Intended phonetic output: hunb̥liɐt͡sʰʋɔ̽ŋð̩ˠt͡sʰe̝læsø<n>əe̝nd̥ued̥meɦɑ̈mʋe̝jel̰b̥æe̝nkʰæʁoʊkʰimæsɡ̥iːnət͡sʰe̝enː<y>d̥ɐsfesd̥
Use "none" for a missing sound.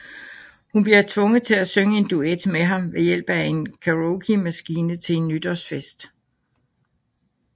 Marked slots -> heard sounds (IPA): ŋ, y

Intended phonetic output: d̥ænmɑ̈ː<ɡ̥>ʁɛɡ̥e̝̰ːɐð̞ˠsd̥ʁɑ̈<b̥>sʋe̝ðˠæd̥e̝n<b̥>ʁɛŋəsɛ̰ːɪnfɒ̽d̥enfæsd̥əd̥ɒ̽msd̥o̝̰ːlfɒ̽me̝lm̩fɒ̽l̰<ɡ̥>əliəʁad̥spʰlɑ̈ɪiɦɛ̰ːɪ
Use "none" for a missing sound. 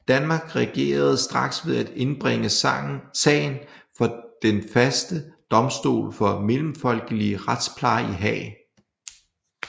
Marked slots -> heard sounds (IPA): ɡ̥, ɡ̥, b̥, ɡ̥

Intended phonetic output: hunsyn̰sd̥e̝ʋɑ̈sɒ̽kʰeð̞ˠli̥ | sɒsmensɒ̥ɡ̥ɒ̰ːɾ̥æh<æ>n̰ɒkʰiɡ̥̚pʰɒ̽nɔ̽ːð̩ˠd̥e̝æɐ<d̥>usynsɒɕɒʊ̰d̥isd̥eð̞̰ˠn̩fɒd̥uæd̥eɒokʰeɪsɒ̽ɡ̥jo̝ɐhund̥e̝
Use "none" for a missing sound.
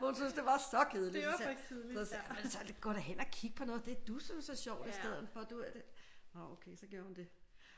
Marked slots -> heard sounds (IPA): e, d̥

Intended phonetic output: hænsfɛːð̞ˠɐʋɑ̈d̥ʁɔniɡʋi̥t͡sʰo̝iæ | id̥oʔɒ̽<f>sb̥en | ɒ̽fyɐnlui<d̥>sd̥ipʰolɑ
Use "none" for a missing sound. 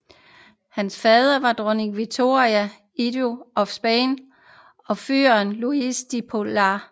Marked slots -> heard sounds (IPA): f, none

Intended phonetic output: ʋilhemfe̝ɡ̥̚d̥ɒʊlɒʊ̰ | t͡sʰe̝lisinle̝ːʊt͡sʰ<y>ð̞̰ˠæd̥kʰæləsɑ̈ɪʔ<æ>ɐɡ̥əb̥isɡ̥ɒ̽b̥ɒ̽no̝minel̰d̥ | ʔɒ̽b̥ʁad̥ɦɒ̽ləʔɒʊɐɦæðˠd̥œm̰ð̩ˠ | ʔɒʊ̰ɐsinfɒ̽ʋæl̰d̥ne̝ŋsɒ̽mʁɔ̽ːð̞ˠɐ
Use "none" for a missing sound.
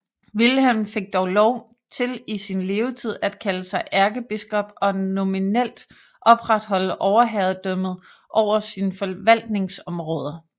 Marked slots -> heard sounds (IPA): i, æ

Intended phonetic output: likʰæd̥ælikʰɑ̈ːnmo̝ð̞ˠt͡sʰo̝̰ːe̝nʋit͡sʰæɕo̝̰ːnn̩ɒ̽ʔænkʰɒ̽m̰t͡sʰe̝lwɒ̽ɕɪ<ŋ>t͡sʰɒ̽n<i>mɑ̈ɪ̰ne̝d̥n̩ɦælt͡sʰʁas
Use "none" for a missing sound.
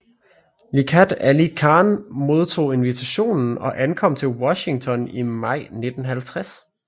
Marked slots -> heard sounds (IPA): ŋ, i

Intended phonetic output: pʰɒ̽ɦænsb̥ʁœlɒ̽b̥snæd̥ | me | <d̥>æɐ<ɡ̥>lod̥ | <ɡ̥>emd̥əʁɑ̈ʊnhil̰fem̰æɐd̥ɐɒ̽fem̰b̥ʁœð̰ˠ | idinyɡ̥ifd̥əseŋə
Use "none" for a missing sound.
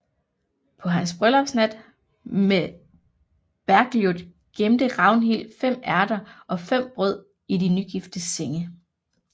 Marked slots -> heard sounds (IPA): b̥, ɡ̥, ɡ̥

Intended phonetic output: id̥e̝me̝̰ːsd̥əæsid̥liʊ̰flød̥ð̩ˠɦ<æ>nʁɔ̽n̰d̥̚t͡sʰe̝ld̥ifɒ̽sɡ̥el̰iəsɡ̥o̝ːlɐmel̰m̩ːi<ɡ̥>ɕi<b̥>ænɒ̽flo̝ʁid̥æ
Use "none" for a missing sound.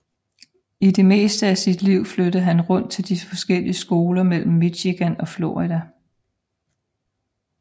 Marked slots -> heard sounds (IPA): æ, none, ɡ̥

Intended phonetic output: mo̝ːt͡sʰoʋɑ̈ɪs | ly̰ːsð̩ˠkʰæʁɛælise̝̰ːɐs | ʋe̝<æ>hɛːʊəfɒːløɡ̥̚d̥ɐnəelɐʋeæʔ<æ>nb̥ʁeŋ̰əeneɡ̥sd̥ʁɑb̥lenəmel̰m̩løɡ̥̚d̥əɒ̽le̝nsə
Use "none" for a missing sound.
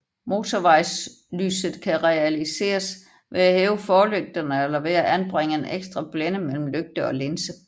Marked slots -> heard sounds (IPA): æ, æ

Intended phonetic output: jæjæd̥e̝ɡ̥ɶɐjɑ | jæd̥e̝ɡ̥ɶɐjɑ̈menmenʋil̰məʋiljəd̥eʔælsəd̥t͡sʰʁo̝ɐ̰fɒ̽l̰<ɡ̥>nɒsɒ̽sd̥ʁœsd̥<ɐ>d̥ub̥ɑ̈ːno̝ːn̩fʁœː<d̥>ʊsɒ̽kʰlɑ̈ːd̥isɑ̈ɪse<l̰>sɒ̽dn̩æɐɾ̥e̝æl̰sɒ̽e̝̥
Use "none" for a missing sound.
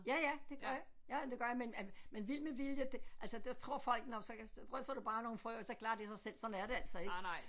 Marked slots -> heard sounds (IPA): ɡ̥, ɐ, none, l̰

